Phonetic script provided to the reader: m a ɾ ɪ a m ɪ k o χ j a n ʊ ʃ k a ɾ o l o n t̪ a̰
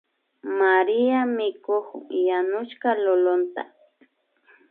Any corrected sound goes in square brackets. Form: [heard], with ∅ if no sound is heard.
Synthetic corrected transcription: m a ɾ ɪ a m ɪ k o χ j a n ʊ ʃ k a [l] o l o n t̪ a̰

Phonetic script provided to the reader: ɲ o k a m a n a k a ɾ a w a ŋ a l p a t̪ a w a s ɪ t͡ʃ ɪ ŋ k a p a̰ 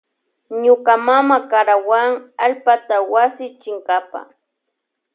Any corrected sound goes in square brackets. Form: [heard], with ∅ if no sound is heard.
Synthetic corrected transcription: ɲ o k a m a [m] a k a ɾ a w a ŋ a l p a t̪ a w a s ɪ t͡ʃ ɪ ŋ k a p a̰

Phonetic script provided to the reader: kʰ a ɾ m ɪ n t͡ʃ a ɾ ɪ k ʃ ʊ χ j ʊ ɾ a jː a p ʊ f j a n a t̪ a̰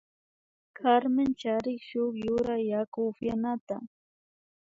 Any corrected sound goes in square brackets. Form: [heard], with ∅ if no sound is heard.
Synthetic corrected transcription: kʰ a ɾ m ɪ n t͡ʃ a ɾ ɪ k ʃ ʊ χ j ʊ ɾ a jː a [k] ʊ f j a n a t̪ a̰

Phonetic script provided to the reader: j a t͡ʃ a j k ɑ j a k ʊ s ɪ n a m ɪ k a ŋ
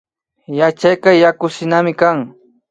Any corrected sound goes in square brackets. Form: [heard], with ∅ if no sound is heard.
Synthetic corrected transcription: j a t͡ʃ a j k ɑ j a k ʊ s ɪ n a m ɪ k a ŋ

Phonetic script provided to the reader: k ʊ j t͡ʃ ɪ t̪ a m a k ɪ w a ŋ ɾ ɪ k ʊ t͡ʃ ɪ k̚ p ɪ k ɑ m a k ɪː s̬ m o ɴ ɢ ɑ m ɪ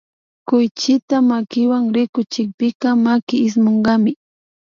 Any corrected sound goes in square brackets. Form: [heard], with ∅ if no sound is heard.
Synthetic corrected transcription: k ʊ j t͡ʃ ɪ t̪ a m a k ɪ w a ŋ ɾ ɪ k ʊ t͡ʃ ɪ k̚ p ɪ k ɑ m a k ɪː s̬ m o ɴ ɢ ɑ m ɪ

